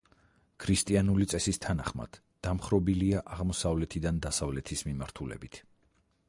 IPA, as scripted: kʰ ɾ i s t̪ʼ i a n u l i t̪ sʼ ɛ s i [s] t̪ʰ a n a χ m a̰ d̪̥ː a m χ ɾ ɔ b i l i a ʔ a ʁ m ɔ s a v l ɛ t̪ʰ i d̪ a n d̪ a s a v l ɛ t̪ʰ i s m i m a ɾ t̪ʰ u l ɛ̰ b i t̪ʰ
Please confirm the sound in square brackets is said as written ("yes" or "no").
yes